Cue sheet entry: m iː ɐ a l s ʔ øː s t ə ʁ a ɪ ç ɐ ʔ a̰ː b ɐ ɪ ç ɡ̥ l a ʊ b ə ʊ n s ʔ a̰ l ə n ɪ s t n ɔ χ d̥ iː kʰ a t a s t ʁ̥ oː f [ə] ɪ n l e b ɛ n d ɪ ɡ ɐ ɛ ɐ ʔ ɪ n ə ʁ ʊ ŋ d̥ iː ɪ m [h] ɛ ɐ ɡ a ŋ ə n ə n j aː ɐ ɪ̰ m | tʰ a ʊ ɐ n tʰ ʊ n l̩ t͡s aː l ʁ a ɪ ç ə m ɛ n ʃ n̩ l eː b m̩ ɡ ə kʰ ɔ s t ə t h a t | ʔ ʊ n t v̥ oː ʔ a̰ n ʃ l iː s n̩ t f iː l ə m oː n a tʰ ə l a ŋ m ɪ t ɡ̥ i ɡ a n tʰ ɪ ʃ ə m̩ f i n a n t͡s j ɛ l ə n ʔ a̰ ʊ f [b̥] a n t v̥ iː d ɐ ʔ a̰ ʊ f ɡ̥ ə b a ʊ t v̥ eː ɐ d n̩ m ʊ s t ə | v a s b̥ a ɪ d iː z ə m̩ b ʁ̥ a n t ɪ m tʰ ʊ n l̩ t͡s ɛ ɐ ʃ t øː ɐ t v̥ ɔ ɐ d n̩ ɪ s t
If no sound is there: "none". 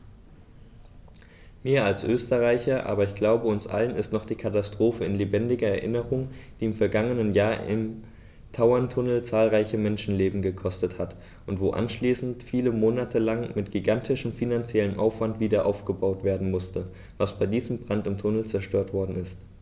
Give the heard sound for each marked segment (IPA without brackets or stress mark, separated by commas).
ə, f, v̥